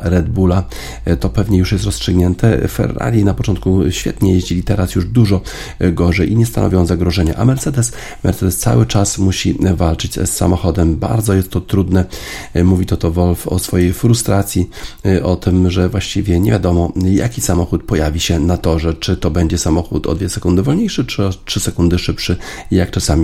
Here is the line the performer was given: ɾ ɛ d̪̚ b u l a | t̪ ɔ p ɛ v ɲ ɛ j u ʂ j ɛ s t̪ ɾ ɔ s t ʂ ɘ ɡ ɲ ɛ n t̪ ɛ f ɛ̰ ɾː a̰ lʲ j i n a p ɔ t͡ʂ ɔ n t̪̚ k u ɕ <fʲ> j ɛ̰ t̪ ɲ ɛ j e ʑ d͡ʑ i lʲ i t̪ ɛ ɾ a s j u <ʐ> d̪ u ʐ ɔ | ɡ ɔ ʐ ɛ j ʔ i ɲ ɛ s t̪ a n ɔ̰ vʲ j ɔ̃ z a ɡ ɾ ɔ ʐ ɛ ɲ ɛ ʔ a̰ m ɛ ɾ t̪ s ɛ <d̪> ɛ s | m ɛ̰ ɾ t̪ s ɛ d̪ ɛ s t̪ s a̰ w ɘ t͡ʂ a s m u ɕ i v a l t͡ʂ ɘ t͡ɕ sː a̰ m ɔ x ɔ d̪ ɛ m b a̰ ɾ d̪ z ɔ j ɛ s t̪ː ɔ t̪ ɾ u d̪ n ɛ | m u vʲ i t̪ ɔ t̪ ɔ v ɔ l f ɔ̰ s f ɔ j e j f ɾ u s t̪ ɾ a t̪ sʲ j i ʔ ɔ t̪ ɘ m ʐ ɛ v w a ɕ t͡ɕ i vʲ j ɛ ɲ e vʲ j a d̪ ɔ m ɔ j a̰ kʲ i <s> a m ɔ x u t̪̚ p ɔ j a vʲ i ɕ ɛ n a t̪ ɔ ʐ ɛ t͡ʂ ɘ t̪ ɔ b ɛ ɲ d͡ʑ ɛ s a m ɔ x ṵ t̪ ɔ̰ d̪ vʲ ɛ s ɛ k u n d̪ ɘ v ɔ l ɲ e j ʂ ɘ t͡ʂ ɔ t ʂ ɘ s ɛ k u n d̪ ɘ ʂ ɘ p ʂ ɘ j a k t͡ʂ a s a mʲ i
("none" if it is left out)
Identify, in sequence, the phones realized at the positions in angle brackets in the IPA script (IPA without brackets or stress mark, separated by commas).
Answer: fʲ, ʐ, d̪, s